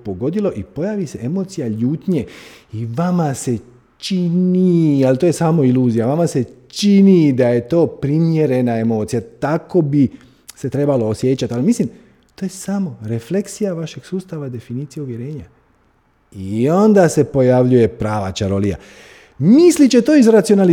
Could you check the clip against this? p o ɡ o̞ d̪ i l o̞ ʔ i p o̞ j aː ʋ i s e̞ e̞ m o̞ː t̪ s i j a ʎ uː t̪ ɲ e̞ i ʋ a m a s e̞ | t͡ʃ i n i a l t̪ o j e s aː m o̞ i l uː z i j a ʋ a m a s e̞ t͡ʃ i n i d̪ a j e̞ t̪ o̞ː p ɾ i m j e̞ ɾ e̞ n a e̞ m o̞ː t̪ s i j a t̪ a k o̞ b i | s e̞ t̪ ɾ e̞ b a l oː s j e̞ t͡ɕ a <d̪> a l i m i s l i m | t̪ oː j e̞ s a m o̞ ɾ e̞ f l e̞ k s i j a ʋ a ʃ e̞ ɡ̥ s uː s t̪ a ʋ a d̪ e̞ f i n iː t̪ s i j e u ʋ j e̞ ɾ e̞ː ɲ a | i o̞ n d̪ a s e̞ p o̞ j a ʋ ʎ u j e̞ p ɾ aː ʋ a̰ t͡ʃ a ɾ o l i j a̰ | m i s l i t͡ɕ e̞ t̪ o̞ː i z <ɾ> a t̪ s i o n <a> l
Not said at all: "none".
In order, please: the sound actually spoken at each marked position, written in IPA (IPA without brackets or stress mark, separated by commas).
t̪, ɾ, a